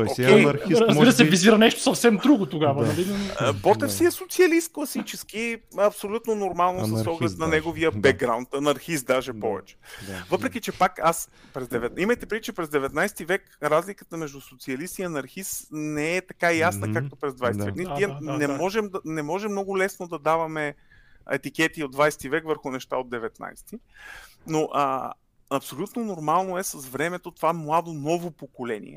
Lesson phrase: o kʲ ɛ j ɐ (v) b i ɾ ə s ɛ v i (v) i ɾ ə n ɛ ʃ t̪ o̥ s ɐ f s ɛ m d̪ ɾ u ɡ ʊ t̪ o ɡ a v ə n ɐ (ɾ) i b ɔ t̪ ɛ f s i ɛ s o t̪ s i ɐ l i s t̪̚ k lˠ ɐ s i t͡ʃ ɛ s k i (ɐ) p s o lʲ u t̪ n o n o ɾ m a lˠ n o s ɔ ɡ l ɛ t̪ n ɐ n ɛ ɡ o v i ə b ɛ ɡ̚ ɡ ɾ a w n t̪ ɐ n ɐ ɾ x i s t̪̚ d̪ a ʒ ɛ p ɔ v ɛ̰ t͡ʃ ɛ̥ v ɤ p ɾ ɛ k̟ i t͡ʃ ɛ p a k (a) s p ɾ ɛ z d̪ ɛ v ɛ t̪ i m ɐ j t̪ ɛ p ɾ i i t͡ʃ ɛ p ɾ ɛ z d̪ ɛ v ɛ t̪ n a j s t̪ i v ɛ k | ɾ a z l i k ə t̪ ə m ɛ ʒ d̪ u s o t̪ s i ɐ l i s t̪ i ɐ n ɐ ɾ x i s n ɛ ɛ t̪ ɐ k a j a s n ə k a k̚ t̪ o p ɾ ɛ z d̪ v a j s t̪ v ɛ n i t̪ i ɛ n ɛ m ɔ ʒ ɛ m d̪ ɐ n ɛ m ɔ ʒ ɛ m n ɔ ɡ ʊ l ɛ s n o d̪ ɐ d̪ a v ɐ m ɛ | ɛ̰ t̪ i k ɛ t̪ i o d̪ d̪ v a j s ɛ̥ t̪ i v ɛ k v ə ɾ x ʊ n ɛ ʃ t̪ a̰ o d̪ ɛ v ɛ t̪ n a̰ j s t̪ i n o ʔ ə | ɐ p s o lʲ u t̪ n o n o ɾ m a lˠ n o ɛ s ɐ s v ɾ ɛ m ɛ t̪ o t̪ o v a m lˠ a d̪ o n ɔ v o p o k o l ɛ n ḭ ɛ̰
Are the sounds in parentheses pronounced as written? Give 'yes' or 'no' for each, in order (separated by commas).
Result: no, no, no, yes, yes